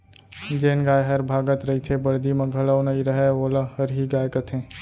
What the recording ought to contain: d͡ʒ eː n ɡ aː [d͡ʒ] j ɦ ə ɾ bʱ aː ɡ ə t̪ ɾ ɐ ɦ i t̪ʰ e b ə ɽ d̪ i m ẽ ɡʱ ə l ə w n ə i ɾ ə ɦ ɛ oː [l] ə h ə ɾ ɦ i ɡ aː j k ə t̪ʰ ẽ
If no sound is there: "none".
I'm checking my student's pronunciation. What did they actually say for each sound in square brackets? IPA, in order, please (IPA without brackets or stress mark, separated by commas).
none, l